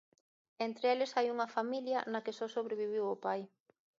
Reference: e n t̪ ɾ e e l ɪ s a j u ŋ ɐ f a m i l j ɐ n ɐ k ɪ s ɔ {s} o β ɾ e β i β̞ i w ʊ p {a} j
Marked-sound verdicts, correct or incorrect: correct, correct

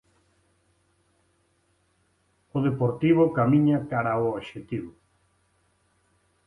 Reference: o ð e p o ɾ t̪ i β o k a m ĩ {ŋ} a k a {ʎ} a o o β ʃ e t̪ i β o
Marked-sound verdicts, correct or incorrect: incorrect: ɲ, incorrect: ɾ

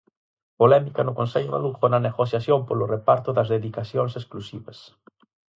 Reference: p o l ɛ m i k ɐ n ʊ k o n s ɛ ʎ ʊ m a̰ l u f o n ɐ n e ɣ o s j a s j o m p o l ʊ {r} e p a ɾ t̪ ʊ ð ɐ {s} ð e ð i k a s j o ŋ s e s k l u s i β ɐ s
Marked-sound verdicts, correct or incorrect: correct, incorrect: z

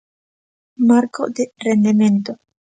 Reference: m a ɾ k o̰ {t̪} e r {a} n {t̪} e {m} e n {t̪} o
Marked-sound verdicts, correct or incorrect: incorrect: d̪, incorrect: e, incorrect: d̪, correct, correct

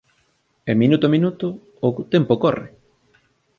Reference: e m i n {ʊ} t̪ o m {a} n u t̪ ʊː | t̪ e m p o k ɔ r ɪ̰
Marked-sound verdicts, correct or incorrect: incorrect: u, incorrect: i

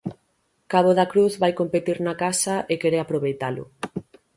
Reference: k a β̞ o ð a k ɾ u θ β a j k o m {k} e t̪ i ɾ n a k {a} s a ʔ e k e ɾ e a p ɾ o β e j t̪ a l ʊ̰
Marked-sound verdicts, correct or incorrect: incorrect: p, correct

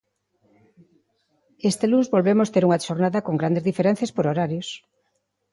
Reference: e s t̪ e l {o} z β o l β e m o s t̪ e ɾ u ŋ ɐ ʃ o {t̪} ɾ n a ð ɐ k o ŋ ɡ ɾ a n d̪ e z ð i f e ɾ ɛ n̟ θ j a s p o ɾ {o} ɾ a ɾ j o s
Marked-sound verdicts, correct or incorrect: incorrect: u, incorrect: none, correct

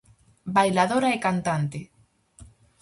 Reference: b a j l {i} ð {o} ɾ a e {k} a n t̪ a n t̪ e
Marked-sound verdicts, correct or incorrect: incorrect: a, correct, correct

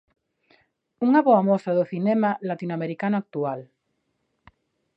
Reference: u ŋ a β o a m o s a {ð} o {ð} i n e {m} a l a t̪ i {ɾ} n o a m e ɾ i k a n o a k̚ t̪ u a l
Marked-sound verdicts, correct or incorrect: correct, incorrect: θ, correct, incorrect: none

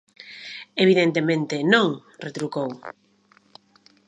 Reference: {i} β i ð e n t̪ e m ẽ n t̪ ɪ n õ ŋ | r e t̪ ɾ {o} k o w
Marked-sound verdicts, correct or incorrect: incorrect: e, incorrect: u

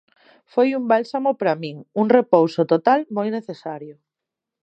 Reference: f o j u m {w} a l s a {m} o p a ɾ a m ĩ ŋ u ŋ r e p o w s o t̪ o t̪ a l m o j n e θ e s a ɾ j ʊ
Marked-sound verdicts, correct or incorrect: incorrect: b, correct

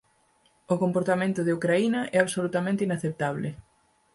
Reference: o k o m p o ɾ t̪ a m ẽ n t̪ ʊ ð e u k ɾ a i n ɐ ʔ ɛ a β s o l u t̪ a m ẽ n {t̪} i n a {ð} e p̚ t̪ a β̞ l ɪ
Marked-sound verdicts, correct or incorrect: correct, incorrect: θ

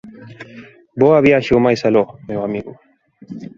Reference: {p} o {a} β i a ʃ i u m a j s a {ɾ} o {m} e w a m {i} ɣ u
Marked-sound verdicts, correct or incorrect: incorrect: b, correct, incorrect: l, correct, correct

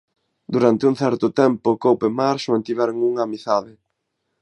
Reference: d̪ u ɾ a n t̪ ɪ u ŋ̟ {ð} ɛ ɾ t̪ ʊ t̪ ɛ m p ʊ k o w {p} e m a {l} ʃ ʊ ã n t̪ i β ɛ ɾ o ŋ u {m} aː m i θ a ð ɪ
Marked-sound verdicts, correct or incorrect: incorrect: θ, correct, incorrect: ɾ, incorrect: ŋ

